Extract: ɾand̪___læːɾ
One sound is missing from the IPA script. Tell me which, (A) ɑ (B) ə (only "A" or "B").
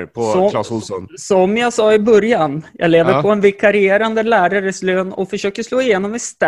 B